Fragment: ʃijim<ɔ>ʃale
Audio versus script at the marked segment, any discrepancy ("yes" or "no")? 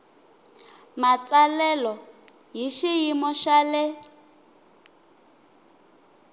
no